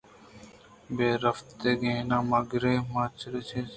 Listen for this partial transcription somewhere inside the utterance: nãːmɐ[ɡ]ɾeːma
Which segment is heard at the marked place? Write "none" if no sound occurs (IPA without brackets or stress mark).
ɡ